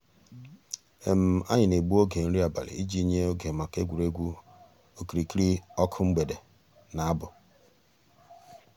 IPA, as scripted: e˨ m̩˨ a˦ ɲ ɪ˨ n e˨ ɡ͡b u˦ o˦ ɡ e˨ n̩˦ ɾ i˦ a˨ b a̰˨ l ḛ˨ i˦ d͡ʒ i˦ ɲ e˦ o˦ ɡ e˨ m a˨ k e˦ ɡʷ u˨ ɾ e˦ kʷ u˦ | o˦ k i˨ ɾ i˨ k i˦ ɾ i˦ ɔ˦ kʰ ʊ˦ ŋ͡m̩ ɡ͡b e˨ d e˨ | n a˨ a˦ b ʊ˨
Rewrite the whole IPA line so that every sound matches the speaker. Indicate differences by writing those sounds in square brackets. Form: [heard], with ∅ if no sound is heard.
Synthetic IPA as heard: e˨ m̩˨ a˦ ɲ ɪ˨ n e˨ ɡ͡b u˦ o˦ ɡ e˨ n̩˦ ɾ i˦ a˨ b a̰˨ l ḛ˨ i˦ d͡ʒ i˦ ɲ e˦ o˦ ɡ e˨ m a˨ k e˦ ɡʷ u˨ ɾ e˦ [ɡʷ] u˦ | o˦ k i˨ ɾ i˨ k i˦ ɾ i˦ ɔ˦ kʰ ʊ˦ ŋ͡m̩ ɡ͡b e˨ d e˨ | n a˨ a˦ b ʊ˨